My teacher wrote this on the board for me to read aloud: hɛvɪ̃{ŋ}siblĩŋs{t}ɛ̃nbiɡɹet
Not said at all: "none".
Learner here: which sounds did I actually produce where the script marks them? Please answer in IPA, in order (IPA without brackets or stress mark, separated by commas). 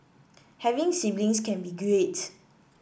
ŋ, k